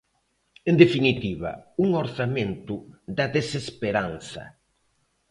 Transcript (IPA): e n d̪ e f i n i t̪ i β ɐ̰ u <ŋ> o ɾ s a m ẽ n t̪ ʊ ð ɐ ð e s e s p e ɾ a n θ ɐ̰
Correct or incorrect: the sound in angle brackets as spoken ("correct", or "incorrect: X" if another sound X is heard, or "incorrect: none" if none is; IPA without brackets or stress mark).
correct